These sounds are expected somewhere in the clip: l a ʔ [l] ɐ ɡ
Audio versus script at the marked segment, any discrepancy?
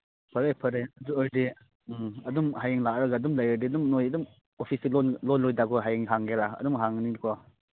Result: yes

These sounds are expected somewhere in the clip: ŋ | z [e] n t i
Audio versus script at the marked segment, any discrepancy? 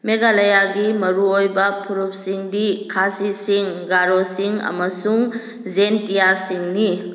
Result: no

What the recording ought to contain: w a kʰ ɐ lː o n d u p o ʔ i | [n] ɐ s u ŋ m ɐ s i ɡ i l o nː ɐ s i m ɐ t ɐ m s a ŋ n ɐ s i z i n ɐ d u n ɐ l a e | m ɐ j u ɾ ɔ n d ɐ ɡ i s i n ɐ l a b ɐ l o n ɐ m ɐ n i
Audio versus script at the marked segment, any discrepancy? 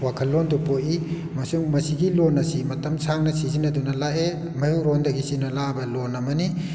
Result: yes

